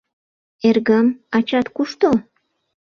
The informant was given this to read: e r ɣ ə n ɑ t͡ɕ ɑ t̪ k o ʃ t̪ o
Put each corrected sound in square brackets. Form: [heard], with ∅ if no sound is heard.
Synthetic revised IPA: e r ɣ ə [m] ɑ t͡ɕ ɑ t̪ k [u] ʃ t̪ o